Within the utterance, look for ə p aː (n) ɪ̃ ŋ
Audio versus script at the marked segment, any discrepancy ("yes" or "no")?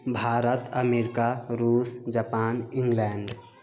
no